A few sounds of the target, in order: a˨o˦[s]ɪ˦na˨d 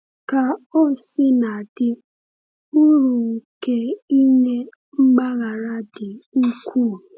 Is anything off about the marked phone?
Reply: no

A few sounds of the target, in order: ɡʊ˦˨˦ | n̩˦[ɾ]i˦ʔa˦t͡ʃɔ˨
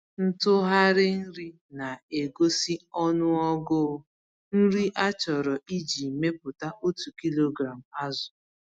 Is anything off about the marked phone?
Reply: no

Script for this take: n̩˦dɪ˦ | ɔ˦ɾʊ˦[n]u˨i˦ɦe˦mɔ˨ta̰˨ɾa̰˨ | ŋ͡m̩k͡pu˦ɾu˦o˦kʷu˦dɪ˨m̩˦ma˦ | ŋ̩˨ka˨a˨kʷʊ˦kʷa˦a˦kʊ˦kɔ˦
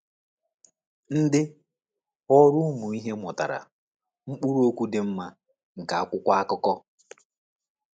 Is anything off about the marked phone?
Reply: yes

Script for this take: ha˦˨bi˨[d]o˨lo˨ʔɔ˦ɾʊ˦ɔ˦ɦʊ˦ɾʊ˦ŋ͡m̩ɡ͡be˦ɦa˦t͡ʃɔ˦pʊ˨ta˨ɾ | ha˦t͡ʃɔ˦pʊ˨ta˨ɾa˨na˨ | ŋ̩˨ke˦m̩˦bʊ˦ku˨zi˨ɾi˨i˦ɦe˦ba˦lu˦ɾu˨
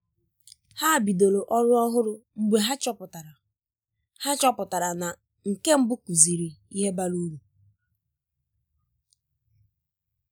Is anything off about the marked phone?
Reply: no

